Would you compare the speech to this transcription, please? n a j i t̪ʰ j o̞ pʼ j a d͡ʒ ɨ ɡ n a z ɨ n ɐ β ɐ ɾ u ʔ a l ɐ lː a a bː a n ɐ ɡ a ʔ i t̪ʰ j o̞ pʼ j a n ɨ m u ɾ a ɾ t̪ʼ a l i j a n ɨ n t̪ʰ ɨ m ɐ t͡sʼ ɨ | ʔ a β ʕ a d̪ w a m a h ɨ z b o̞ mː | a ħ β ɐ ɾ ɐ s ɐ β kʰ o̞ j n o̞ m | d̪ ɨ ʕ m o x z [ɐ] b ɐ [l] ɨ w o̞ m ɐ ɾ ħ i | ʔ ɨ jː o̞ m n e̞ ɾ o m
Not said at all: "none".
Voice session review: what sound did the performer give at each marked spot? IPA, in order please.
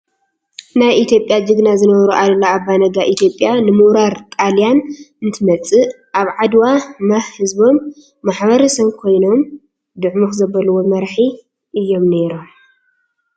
ɐ, l

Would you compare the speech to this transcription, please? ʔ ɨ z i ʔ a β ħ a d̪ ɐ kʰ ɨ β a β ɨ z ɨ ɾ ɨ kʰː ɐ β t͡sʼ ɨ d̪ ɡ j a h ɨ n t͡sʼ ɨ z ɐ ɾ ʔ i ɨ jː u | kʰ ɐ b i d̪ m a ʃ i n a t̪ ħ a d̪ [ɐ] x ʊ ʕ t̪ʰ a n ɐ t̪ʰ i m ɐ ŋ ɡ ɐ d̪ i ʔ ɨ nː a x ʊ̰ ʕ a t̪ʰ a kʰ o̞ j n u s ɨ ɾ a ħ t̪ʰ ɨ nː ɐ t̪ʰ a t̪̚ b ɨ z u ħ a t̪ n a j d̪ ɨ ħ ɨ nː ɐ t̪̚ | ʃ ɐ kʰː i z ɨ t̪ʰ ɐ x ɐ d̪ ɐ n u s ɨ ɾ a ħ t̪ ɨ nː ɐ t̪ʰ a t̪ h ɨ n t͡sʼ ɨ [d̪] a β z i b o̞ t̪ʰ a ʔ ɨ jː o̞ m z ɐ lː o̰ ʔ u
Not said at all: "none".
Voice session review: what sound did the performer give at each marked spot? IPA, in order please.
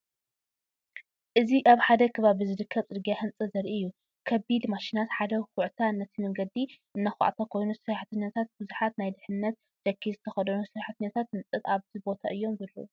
ɐ, t̪

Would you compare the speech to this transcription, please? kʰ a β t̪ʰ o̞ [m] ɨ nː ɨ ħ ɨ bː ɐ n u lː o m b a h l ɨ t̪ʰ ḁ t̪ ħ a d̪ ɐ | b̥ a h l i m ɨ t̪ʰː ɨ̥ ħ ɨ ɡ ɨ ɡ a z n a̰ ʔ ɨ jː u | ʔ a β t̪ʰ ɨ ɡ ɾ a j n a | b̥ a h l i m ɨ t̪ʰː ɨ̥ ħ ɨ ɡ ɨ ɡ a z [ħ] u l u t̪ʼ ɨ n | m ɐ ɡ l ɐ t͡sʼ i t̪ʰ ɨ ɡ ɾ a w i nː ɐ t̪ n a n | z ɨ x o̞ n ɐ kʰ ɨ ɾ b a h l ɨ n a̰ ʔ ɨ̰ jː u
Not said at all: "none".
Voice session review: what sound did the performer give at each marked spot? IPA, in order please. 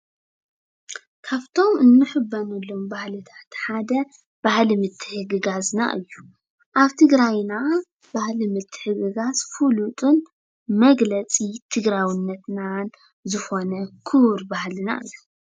m, f

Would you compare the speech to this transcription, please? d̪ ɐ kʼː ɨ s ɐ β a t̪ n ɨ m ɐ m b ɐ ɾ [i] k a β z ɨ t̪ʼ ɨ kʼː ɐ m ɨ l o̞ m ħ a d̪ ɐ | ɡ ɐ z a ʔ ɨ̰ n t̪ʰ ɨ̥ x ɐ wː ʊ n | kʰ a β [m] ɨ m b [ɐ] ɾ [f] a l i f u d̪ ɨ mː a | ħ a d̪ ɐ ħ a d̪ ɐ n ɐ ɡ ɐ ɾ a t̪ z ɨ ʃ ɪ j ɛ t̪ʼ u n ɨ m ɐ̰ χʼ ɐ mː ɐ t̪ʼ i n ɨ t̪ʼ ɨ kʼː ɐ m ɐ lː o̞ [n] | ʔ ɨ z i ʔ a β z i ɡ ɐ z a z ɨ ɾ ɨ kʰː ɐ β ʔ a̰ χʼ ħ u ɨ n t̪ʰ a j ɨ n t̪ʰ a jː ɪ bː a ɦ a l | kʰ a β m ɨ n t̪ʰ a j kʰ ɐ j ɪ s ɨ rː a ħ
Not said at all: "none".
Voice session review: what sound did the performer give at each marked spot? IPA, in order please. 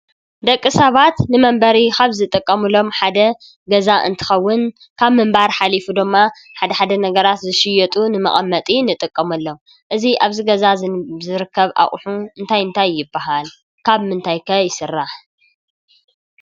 i, m, a, ħ, m

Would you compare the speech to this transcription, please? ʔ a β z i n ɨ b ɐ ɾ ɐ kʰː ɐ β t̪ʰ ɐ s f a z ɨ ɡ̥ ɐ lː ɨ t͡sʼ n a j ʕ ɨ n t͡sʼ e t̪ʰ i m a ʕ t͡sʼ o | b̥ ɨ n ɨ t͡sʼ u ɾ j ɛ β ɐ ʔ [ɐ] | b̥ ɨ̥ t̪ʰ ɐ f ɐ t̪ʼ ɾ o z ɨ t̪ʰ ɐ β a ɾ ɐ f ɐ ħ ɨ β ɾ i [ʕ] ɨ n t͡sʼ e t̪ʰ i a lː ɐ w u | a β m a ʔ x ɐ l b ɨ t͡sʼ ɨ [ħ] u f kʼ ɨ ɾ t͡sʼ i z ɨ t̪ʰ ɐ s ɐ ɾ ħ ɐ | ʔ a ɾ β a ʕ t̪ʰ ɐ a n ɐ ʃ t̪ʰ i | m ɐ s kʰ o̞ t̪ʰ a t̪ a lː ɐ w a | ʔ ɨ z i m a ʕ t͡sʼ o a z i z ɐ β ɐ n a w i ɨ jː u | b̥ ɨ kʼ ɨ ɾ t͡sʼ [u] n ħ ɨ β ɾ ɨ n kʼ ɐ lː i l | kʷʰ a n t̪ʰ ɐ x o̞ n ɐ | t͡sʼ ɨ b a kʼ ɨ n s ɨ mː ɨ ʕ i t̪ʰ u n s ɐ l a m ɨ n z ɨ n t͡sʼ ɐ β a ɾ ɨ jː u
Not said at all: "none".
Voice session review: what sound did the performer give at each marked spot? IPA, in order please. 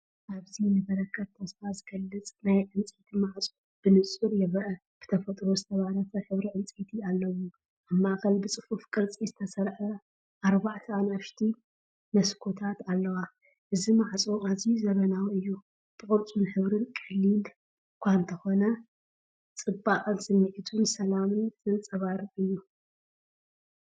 ɐ, ʕ, f, u

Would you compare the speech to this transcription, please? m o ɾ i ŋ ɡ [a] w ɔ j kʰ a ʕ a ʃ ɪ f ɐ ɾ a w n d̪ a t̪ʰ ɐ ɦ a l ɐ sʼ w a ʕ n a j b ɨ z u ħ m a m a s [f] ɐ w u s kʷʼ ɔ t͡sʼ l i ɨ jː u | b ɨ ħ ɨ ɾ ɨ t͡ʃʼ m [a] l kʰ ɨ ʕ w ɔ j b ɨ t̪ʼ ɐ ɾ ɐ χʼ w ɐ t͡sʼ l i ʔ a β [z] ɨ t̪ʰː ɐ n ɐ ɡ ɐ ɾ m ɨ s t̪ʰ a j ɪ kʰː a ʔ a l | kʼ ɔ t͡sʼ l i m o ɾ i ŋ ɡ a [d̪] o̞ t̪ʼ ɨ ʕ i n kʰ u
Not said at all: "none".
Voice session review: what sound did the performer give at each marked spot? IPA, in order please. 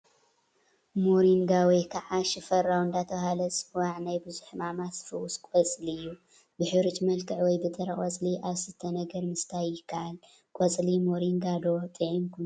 a, f, ɐ, s, d̪

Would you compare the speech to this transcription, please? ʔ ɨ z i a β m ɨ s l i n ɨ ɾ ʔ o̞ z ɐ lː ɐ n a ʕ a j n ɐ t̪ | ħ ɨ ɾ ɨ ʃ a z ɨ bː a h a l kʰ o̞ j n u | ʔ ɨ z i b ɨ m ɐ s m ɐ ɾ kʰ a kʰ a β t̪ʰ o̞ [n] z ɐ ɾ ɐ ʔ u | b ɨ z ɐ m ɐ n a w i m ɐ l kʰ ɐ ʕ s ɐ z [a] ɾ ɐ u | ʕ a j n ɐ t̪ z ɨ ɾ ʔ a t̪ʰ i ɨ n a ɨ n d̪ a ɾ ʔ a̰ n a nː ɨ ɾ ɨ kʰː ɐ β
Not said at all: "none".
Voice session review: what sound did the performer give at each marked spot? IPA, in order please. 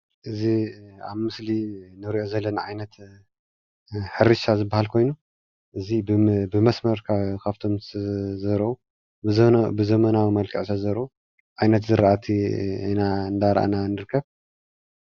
m, ɐ

